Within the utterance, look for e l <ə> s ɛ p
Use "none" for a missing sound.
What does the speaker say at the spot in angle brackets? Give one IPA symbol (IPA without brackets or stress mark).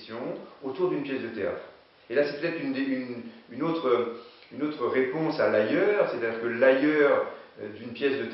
a